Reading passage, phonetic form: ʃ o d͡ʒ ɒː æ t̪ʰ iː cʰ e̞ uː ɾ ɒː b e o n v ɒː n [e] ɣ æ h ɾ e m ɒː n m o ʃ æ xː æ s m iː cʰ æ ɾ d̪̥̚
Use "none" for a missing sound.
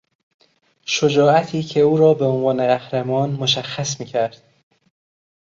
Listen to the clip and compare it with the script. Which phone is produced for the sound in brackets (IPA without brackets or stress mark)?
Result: e